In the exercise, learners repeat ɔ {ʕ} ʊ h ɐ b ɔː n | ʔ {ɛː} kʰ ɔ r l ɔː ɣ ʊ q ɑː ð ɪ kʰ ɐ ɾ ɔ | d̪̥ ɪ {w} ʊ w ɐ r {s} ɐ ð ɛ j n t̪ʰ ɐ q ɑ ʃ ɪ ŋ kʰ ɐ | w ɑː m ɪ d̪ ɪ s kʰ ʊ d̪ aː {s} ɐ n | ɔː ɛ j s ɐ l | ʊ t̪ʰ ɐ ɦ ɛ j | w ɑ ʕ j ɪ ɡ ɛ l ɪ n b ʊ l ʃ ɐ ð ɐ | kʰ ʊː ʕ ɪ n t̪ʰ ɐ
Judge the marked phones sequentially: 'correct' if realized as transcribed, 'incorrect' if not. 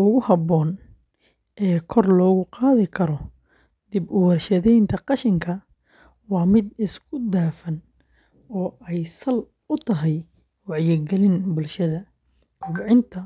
incorrect: ɣ, correct, incorrect: b, incorrect: ʃ, incorrect: f

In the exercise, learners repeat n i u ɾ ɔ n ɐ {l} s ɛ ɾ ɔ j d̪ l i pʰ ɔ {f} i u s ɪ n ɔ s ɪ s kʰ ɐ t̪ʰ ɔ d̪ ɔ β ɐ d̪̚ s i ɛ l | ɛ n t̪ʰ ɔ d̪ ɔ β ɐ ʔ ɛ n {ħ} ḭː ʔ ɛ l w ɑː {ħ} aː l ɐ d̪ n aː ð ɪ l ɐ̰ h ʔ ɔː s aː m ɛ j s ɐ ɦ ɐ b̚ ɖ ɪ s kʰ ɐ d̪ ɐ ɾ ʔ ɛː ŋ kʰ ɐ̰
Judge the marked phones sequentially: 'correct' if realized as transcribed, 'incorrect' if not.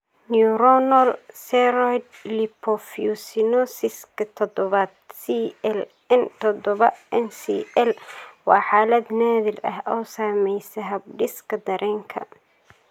correct, correct, incorrect: s, correct

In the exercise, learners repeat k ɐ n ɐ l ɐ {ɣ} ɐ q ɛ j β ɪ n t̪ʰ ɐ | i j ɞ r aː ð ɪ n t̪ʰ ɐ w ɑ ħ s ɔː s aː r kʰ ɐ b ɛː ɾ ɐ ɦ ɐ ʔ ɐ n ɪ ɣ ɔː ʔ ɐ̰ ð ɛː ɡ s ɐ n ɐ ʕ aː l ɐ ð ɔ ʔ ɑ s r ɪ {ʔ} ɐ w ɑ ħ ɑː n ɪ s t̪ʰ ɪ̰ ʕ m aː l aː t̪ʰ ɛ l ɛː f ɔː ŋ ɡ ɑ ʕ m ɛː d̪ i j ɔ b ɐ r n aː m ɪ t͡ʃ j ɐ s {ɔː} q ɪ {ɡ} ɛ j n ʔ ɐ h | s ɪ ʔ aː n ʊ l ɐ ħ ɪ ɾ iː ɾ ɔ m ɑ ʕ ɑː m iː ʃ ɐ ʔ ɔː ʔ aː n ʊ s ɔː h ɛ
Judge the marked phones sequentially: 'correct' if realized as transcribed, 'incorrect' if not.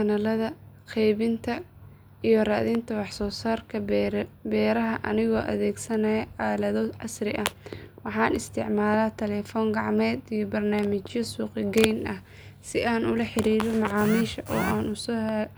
incorrect: ð, correct, incorrect: uː, correct

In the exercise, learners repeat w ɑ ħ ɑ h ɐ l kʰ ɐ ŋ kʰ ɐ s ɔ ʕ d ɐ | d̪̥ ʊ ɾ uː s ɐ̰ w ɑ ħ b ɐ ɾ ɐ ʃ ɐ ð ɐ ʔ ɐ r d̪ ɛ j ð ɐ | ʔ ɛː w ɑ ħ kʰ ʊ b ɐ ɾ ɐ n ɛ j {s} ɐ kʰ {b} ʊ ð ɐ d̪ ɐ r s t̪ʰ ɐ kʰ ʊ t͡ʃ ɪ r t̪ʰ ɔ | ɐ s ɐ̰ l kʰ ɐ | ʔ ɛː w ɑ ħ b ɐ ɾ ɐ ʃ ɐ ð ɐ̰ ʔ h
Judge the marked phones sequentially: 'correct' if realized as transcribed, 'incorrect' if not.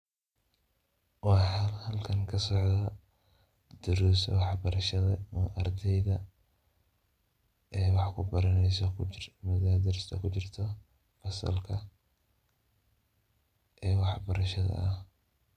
correct, incorrect: m

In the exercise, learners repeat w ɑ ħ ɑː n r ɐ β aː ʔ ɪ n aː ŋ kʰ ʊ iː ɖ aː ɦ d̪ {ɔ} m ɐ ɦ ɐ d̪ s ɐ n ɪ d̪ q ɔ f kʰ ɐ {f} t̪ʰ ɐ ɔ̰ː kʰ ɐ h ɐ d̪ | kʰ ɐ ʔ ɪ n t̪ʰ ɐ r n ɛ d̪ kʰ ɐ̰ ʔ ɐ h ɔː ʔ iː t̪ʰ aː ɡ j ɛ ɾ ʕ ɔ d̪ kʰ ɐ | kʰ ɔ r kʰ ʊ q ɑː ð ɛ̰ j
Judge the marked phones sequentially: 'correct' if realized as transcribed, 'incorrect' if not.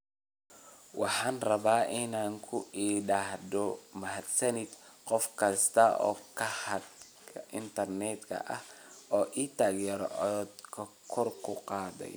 correct, incorrect: s

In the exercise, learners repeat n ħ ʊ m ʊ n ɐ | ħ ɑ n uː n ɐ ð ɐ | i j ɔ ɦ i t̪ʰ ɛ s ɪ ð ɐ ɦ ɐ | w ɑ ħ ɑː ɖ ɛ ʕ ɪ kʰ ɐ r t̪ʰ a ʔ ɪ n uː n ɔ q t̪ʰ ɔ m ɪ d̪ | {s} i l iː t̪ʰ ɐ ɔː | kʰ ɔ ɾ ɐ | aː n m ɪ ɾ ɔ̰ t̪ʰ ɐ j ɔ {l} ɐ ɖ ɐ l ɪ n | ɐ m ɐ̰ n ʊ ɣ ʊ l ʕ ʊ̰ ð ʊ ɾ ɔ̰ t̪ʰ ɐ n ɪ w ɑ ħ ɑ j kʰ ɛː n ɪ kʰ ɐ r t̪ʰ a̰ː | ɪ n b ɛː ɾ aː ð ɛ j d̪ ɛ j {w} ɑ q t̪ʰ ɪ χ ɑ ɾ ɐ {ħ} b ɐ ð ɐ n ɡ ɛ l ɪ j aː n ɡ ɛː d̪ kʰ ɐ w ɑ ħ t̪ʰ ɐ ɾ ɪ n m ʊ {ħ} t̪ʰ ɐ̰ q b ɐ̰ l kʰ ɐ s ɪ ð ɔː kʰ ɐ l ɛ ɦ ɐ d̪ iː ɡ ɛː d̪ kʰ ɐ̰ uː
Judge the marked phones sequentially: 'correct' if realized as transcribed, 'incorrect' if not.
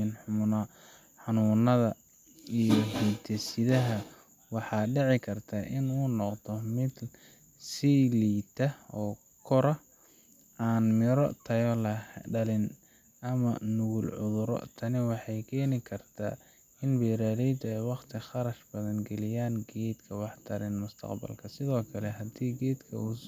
correct, correct, correct, incorrect: ʃ, incorrect: s

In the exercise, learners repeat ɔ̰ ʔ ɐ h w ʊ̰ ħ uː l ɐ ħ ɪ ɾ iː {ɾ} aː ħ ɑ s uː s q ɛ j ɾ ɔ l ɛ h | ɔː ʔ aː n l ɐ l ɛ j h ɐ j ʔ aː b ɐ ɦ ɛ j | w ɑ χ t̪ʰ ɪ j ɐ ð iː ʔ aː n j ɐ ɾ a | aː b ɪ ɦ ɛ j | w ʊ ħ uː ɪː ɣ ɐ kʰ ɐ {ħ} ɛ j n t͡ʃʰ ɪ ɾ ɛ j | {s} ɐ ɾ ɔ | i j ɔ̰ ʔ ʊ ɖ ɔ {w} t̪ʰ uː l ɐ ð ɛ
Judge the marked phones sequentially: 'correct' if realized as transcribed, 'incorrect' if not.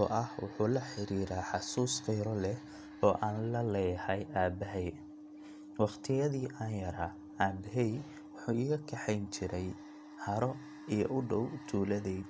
correct, correct, incorrect: h, correct

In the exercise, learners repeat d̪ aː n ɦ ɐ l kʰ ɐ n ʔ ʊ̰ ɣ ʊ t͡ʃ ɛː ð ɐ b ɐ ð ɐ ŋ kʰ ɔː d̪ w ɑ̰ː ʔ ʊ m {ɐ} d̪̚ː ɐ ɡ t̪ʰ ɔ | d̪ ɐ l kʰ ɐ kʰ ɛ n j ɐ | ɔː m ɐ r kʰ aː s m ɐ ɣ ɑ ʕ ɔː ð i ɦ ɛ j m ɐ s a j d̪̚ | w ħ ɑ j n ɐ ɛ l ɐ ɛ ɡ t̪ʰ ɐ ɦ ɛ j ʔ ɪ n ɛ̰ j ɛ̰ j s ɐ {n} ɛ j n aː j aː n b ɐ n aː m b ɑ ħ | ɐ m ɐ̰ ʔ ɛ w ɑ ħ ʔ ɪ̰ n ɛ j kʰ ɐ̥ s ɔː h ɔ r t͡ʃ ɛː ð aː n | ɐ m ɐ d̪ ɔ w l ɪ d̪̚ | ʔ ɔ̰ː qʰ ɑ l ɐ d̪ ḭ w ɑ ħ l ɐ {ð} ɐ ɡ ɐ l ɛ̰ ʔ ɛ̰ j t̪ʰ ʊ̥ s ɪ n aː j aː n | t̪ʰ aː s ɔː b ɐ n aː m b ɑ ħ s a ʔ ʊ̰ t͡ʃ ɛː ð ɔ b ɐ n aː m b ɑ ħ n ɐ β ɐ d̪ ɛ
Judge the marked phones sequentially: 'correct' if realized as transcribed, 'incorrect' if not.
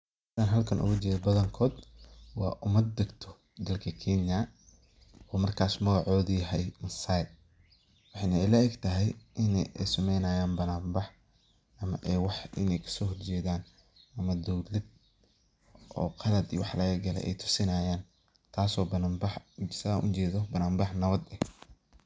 correct, incorrect: m, incorrect: ɣ

